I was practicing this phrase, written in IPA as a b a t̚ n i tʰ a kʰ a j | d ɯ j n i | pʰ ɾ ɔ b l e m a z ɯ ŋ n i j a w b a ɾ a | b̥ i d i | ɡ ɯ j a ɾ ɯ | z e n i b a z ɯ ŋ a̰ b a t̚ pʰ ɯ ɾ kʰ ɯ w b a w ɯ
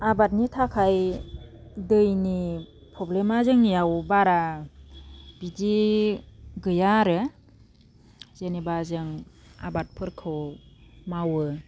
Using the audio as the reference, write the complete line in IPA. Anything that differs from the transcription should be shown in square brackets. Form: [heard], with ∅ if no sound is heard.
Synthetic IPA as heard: a b a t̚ n i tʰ a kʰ a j | d ɯ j n i | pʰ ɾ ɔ b l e m a z ɯ ŋ n i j a w b a ɾ a | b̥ i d i | ɡ ɯ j a ɾ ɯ | z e n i b a z ɯ ŋ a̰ b a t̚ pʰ ɯ ɾ kʰ ɯ w [m] a w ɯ

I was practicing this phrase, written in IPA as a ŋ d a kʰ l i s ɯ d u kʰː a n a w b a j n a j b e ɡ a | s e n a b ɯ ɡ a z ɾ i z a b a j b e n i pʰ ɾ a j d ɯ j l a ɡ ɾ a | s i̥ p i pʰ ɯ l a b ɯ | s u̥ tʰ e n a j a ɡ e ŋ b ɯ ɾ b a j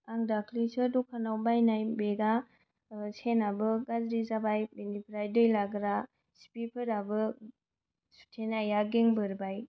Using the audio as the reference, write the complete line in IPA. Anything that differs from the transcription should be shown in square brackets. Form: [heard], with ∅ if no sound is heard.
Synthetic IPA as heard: a ŋ d a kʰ l i s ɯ d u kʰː a n a w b a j n a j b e ɡ a | s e n a b ɯ ɡ a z ɾ i z a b a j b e n i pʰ ɾ a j d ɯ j l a ɡ ɾ a | s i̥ p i pʰ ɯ [ɾ] a b ɯ | s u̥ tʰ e n a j a ɡ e ŋ b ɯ ɾ b a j

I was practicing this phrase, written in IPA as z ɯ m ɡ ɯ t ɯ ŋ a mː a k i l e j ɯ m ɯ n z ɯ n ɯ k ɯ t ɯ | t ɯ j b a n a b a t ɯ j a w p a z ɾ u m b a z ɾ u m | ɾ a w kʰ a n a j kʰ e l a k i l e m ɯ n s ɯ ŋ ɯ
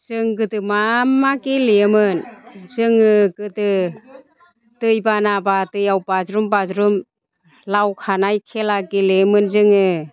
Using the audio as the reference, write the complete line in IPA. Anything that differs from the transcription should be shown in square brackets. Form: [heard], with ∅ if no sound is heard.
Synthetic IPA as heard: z ɯ [ŋ] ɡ ɯ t ɯ [m] a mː a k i l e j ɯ m ɯ n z ɯ [ŋ] ɯ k ɯ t ɯ | t ɯ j b a n a b a t ɯ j a w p a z ɾ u m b a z ɾ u m | [l] a w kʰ a n a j kʰ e l a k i l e m ɯ n [z] ɯ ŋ ɯ

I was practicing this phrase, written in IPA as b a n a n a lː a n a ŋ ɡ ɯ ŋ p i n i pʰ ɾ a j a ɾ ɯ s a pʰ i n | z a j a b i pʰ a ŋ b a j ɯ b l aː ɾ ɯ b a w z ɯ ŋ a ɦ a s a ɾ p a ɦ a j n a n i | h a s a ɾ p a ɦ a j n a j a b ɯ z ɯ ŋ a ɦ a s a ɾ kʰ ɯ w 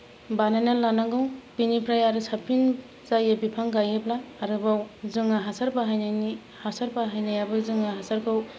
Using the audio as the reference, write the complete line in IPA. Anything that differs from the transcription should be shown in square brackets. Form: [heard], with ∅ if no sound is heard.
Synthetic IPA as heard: b a n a n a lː a n a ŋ ɡ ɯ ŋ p i n i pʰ ɾ a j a ɾ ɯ s a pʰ i n | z a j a b i pʰ a ŋ [ɡ] a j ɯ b l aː ɾ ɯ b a w z ɯ ŋ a ɦ a s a ɾ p a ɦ a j n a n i | h a s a ɾ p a ɦ a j n a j a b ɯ z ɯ ŋ a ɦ a s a ɾ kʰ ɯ w

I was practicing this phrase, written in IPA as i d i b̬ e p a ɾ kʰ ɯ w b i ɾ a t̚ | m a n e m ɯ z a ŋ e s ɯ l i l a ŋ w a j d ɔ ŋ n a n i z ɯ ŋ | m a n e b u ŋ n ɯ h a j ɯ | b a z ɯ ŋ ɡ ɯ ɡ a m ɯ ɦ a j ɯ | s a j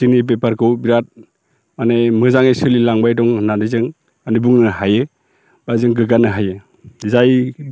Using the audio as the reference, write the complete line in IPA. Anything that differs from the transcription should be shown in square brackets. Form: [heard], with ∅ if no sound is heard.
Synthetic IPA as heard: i [n] i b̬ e p a ɾ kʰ ɯ w b i ɾ a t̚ | m a n e m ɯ z a ŋ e s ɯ l i l a ŋ [b] a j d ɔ ŋ n a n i z ɯ ŋ | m a n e b u ŋ n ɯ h a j ɯ | b a z ɯ ŋ ɡ ɯ ɡ a [n] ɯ ɦ a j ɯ | [z] a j

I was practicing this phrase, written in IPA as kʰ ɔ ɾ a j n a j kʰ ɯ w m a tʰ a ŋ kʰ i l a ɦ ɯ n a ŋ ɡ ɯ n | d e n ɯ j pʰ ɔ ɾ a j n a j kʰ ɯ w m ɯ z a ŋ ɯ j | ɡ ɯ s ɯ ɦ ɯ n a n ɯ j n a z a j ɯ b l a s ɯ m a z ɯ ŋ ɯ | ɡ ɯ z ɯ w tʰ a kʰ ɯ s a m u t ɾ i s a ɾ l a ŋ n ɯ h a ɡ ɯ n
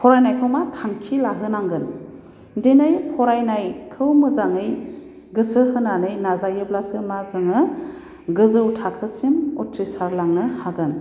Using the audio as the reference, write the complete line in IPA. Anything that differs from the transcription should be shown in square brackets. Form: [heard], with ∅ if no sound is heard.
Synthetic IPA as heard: [pʰ] ɔ ɾ a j n a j kʰ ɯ w m a tʰ a ŋ kʰ i l a ɦ ɯ n a ŋ ɡ ɯ n | d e n ɯ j pʰ ɔ ɾ a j n a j kʰ ɯ w m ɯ z a ŋ ɯ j | ɡ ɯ s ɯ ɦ ɯ n a n ɯ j n a z a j ɯ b l a s ɯ m a z ɯ ŋ ɯ | ɡ ɯ z ɯ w tʰ a kʰ ɯ s [i] m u t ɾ i s a ɾ l a ŋ n ɯ h a ɡ ɯ n

